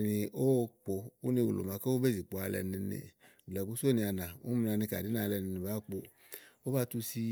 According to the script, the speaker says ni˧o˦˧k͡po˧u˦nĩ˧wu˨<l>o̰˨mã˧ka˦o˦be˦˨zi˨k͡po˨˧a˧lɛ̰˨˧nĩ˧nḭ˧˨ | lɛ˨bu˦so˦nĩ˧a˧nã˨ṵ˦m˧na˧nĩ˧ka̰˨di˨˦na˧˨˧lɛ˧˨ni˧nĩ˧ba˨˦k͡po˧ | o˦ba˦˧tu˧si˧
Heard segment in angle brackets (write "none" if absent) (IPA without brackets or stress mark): l